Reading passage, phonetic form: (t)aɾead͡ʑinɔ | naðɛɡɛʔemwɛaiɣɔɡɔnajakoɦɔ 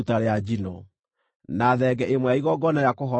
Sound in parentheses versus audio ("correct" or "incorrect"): correct